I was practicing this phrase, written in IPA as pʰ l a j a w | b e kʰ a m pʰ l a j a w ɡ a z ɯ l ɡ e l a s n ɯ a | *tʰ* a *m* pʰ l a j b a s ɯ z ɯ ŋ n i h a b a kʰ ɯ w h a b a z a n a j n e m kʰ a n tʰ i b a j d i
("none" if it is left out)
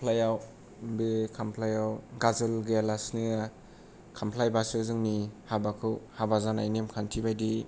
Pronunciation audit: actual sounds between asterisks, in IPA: kʰ, m

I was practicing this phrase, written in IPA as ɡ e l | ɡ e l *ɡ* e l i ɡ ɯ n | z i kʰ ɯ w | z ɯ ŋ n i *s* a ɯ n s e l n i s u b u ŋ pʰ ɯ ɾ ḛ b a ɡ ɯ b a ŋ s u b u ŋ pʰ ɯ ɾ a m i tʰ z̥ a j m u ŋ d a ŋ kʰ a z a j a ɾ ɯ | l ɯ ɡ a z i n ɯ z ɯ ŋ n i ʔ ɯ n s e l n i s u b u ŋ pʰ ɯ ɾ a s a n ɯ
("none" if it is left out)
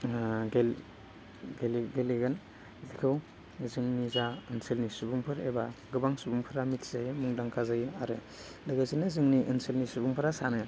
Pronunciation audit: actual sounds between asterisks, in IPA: ɡ, z

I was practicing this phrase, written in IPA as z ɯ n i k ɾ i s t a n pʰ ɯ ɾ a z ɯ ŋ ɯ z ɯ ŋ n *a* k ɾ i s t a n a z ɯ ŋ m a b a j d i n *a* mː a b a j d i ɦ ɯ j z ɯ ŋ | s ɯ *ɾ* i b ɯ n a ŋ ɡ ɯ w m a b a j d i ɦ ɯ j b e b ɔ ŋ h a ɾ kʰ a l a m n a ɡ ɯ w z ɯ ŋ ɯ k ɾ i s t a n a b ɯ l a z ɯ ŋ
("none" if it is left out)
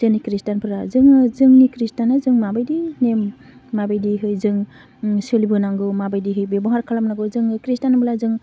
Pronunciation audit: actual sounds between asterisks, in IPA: i, e, l

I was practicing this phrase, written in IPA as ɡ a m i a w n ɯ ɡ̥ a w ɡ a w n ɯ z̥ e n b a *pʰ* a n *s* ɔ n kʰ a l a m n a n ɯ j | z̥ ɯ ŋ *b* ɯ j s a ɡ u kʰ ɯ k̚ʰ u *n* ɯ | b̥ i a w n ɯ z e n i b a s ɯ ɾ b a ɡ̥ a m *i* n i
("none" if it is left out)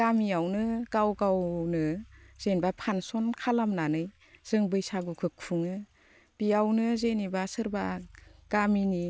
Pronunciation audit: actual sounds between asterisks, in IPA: pʰ, s, b, ŋ, i

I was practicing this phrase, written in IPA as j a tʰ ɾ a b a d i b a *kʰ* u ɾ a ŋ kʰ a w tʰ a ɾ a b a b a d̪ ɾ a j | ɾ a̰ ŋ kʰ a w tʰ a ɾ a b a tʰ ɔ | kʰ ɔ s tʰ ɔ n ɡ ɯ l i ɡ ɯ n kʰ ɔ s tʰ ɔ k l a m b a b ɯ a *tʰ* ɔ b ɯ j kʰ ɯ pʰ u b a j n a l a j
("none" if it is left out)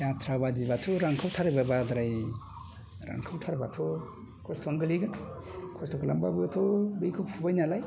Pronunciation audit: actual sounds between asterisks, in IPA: tʰ, tʰ

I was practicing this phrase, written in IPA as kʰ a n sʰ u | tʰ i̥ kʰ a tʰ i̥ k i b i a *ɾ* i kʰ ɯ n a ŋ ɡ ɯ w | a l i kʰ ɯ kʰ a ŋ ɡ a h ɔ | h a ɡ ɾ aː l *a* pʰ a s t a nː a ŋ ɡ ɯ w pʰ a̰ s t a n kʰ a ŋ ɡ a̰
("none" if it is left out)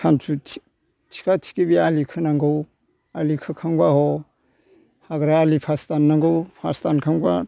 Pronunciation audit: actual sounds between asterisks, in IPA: l, i

